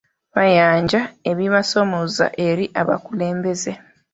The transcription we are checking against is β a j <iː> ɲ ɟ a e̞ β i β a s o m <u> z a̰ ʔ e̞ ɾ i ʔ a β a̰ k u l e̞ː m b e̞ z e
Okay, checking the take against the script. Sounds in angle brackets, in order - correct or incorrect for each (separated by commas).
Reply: incorrect, incorrect